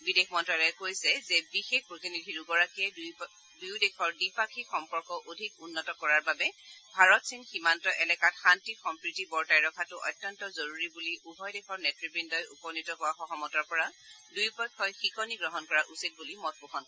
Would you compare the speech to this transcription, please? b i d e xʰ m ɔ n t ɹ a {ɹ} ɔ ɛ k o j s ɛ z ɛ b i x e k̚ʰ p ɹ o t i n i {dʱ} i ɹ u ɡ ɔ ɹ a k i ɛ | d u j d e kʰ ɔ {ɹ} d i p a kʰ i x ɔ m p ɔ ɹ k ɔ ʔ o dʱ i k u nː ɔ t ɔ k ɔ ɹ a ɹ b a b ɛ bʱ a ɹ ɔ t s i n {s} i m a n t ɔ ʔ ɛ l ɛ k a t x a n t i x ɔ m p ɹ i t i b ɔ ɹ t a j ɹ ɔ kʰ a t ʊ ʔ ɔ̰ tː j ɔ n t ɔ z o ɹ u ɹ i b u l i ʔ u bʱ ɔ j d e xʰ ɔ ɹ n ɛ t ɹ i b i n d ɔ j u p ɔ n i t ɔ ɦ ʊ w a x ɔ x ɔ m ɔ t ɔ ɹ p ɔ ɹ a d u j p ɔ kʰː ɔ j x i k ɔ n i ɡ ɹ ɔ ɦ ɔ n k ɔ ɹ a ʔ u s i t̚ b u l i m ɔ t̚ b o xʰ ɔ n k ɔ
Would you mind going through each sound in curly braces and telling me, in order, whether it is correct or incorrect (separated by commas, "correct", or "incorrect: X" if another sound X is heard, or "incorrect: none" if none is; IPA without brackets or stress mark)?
incorrect: l, correct, correct, incorrect: x